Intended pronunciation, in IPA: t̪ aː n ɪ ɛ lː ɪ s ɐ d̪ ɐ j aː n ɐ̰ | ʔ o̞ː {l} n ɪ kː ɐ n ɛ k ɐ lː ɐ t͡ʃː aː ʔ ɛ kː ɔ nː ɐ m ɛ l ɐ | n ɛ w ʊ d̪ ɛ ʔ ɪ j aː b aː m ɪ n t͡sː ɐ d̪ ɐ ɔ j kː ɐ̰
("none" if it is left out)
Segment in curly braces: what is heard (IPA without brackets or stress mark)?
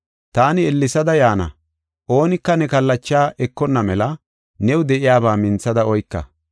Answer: none